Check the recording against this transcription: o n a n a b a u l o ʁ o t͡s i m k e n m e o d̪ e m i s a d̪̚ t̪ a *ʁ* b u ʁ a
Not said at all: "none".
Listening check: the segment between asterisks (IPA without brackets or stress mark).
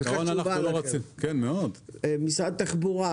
χ